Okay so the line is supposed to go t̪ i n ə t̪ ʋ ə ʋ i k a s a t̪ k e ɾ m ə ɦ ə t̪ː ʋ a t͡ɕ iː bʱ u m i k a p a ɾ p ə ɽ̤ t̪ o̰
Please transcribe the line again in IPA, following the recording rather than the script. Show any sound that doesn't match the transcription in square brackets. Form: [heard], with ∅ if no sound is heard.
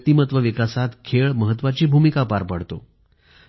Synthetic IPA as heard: t̪ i [m] ə t̪ ʋ ə ʋ i k a s a t̪ [kʰ] e [ɭ] m ə ɦ ə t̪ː ʋ a t͡ɕ iː bʱ u m i k a p a ɾ p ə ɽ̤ t̪ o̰